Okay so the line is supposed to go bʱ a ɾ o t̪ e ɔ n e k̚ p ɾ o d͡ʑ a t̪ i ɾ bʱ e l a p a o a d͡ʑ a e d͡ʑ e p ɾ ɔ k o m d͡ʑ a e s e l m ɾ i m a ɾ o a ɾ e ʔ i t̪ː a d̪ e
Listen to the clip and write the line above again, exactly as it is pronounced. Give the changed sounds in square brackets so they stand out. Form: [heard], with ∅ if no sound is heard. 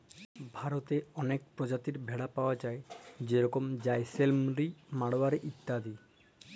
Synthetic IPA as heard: bʱ a ɾ o t̪ e ɔ n e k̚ p ɾ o d͡ʑ a t̪ i ɾ bʱ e [ɽ] a p a o a d͡ʑ a e d͡ʑ e [∅] ɾ ɔ k o m d͡ʑ a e s e l m ɾ i m a [ɽ] o a ɾ e ʔ i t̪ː a d̪ [i]

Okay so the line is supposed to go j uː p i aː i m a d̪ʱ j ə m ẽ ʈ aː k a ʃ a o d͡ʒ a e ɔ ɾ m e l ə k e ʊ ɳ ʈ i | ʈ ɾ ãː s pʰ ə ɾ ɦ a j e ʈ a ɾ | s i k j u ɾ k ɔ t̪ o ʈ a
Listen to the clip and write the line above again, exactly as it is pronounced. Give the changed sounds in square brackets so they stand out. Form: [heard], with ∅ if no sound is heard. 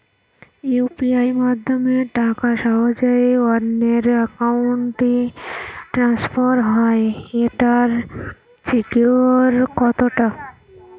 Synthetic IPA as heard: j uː p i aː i m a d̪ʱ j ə m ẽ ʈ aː k a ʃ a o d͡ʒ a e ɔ ɾ [n] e [ɾ] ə k [a] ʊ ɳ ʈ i | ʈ ɾ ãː s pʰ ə ɾ ɦ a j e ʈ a ɾ | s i k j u ɾ k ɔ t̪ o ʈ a

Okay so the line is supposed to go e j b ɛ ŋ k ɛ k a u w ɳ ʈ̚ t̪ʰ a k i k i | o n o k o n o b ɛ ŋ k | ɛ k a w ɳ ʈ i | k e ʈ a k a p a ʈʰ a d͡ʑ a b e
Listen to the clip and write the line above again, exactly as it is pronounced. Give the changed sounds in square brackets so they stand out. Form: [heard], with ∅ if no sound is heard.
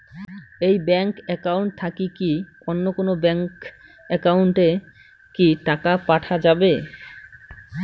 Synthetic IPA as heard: e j b ɛ ŋ k ɛ k a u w ɳ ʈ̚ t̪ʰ a k i k i | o [nː] o k o n o b ɛ ŋ k | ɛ k a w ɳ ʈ [e] | k [i] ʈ a k a p a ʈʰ a d͡ʑ a b e

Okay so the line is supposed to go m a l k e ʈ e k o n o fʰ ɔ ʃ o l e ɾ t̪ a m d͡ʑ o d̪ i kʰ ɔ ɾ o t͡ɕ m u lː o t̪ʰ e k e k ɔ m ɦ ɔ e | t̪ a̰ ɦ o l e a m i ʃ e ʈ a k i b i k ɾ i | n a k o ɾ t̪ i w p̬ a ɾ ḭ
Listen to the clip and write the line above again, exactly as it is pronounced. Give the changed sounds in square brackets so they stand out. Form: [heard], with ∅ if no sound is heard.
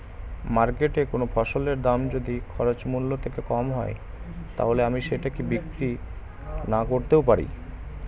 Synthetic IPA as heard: m a [ɾ] k e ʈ e k o n o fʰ ɔ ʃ o l e ɾ [d̪] a m d͡ʑ o d̪ i kʰ ɔ ɾ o t͡ɕ m u lː o t̪ʰ e k e k ɔ m ɦ ɔ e | t̪ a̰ ɦ o l e a m i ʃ e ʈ a k i b i k ɾ i | n a k o ɾ t̪ [e] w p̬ a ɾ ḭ

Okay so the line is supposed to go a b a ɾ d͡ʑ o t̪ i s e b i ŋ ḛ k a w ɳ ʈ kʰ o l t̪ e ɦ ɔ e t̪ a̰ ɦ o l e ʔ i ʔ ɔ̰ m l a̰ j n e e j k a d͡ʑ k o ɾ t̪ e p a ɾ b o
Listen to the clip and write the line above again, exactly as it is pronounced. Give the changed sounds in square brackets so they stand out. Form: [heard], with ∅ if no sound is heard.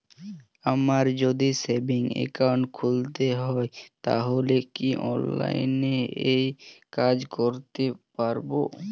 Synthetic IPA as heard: a [m] a ɾ d͡ʑ o [d̪] i s e b i ŋ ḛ k a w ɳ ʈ kʰ [u] l t̪ e ɦ ɔ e t̪ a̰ ɦ o l e [k] i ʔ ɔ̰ [n] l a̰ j n e e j k a d͡ʑ k o ɾ t̪ e p a ɾ b o

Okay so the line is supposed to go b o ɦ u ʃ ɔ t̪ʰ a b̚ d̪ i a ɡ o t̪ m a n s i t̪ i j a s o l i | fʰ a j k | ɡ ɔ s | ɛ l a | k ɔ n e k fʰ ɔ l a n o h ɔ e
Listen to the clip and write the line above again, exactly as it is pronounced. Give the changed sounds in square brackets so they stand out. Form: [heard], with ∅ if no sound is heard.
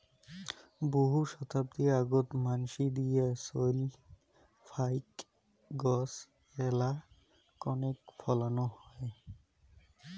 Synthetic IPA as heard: b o ɦ u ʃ ɔ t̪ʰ a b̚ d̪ i a ɡ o t̪ m a n [ʃ] i [d̪] i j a s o l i | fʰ a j k | ɡ ɔ s | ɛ l a | k ɔ n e k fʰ ɔ l a n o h ɔ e

